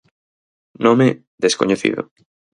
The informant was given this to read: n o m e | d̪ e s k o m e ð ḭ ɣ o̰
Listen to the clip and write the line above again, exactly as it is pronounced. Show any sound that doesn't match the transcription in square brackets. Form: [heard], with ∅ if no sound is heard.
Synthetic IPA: n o m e | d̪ e s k o [ɲ] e [θ] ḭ [ð] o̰